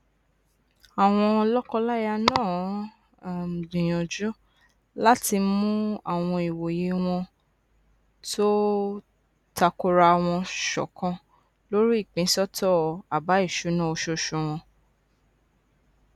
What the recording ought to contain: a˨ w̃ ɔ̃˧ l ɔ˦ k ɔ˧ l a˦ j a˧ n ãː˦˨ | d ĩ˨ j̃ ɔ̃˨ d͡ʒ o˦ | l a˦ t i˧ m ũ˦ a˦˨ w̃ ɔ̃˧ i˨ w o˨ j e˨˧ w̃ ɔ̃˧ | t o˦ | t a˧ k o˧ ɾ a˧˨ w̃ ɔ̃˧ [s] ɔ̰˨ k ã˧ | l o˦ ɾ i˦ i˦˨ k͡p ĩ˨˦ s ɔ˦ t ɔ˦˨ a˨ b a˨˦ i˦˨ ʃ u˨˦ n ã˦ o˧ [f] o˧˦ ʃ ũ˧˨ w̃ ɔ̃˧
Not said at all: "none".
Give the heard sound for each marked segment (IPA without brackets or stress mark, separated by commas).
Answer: ʃ, ʃ